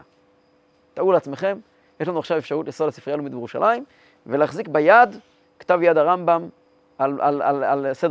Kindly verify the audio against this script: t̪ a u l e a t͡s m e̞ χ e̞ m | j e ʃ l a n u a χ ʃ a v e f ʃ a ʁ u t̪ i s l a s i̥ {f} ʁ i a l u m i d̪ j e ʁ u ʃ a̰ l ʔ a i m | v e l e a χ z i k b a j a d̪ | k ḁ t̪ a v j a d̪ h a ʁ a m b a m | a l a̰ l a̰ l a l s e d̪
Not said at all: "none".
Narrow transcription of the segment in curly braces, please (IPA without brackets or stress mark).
f